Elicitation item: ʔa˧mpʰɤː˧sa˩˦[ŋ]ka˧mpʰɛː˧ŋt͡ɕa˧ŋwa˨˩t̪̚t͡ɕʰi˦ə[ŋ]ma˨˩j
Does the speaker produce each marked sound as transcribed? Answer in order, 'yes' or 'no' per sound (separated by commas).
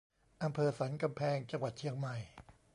no, yes